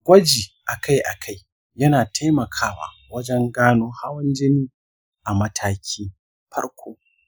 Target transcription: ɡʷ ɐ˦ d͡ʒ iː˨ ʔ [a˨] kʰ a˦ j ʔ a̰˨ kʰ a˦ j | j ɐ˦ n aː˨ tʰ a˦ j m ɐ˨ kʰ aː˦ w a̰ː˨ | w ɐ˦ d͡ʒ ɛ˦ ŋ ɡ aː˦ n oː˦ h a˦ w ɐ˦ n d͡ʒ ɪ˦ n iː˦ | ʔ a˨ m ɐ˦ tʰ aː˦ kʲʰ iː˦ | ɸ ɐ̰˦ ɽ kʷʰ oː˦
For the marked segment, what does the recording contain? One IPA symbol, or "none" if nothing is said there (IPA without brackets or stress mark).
a˨